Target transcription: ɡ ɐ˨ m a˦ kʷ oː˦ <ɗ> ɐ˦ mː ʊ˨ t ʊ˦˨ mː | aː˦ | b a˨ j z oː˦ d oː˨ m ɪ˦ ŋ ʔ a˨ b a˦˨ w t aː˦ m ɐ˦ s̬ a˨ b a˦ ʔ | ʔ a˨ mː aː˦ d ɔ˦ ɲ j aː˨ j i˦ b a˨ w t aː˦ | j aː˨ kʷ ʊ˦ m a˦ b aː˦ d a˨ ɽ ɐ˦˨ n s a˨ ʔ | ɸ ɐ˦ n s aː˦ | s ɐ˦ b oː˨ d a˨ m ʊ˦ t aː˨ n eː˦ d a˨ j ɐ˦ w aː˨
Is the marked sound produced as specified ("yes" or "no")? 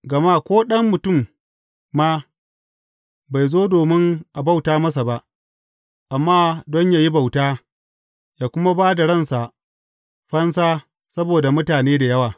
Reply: yes